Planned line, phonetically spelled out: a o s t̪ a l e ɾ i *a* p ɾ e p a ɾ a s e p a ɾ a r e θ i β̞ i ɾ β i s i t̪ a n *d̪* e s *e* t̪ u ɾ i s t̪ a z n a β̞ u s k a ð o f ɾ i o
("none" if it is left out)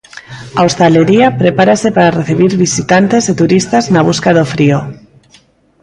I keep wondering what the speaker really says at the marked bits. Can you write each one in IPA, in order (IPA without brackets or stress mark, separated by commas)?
a, t̪, e